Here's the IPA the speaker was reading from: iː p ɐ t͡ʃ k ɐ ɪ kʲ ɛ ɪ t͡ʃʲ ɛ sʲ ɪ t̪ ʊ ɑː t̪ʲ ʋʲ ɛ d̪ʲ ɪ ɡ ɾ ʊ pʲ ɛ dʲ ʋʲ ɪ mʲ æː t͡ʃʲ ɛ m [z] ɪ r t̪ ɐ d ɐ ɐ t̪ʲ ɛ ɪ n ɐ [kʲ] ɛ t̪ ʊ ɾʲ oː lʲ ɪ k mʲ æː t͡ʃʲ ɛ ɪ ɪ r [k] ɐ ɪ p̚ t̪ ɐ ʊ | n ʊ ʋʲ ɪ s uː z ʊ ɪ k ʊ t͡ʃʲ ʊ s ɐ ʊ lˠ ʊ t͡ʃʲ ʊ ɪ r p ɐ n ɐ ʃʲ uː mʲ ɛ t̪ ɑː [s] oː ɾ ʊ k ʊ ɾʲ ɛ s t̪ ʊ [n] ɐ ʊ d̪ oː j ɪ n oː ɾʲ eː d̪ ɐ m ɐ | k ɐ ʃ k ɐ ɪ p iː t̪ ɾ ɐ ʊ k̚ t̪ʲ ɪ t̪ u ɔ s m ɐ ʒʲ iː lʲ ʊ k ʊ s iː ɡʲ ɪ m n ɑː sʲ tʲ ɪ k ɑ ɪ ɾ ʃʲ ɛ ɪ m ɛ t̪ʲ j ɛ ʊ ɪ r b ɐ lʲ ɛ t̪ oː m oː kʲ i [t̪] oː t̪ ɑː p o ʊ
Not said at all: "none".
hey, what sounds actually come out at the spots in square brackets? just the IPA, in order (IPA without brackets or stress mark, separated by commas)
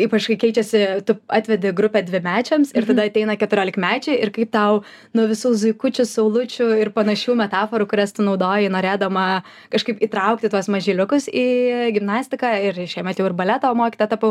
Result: s, kʲ, k, f, n, t̪